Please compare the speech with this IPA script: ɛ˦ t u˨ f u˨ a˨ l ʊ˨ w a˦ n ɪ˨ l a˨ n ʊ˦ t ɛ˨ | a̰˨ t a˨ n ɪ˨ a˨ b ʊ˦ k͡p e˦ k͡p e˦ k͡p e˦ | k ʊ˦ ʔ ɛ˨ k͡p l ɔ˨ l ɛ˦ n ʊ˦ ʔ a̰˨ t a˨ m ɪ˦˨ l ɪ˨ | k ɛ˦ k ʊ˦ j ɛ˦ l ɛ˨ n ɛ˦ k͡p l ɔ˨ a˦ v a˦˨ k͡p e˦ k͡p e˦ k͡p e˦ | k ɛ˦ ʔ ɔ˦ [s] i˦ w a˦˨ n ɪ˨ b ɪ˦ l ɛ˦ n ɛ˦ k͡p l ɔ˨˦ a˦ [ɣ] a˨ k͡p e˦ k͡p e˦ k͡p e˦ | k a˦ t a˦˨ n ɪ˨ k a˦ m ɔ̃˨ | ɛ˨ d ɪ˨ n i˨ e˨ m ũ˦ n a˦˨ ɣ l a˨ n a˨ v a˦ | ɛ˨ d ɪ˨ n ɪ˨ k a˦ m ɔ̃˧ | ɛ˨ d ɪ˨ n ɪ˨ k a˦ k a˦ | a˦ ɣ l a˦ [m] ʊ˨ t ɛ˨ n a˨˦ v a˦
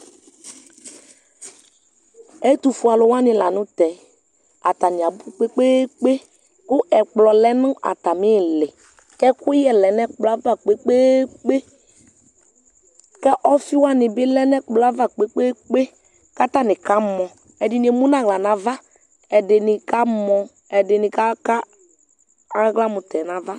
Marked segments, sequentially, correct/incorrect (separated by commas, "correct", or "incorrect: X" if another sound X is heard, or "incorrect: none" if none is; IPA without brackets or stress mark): incorrect: f, incorrect: v, correct